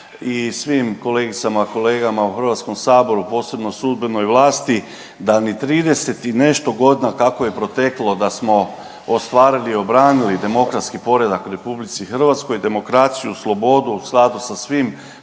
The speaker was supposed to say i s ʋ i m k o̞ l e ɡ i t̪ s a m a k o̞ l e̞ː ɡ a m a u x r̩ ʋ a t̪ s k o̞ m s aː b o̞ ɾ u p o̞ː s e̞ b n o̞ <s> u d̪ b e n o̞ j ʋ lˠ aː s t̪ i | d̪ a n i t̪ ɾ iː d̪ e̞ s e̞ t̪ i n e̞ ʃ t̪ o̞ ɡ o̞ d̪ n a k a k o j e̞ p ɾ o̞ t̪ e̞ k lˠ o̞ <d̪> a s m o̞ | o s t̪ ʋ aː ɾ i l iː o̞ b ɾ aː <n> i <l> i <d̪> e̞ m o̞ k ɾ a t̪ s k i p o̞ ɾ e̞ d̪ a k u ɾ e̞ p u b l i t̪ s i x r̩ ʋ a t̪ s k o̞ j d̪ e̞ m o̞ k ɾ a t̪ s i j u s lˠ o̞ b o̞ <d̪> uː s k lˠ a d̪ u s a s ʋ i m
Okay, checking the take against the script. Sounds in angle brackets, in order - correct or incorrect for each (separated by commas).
correct, correct, correct, correct, correct, correct